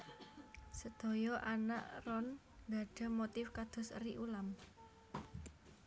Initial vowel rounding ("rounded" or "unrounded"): unrounded